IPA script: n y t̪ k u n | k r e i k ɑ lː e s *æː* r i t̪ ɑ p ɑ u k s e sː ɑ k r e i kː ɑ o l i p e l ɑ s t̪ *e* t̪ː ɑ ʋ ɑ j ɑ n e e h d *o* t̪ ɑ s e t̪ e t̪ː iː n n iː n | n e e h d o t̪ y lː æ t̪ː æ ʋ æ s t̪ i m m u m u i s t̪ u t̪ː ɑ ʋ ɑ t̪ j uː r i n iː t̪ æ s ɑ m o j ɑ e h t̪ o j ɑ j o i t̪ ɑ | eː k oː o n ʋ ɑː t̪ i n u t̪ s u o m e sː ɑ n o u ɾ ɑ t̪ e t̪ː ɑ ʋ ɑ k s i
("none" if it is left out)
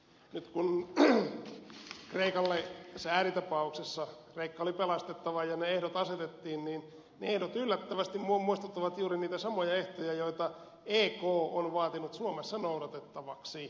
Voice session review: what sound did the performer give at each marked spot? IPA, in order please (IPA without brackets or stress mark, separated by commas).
æː, e, o